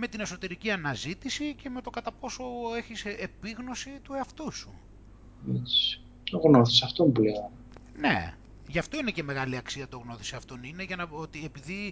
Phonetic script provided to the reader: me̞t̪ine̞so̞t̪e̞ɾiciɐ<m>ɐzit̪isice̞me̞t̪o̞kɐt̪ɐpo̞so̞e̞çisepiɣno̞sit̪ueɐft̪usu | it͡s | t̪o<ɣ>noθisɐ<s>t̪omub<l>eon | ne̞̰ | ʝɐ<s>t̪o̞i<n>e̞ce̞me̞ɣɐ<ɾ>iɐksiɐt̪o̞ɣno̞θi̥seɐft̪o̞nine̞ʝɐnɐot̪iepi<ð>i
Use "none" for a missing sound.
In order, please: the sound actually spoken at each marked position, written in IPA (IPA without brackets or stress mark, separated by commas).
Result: n, ɣ, f, l, f, n, l, ð